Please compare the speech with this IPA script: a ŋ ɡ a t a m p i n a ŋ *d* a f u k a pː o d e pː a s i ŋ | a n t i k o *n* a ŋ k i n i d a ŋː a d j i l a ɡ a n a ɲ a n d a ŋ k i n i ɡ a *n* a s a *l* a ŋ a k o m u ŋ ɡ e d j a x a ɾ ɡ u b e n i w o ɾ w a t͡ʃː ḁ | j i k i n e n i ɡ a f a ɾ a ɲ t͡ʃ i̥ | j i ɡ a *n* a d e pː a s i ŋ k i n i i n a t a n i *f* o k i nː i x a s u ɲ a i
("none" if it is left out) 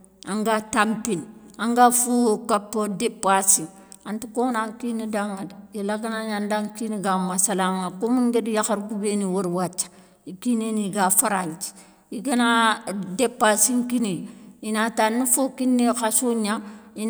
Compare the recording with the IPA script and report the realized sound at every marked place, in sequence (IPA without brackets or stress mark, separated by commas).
ɡ, n, m, l, n, f